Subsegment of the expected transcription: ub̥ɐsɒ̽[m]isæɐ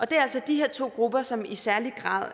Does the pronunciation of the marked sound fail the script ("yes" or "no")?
no